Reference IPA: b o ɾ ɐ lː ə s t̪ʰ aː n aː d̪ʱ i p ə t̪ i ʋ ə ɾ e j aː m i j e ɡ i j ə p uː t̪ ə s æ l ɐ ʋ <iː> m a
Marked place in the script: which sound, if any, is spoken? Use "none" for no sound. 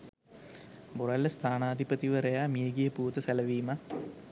iː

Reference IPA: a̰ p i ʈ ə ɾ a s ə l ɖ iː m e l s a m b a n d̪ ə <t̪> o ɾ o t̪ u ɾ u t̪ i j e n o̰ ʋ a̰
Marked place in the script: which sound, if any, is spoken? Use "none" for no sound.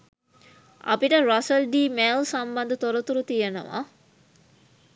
t̪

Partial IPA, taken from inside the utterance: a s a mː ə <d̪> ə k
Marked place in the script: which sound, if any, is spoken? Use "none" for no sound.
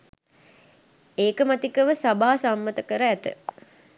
t̪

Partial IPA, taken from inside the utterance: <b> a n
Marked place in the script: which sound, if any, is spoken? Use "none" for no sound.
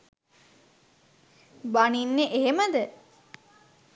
b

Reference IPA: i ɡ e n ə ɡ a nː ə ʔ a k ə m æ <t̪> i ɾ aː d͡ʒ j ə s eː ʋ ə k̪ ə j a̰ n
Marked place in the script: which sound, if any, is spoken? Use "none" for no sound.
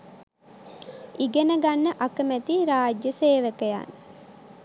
t̪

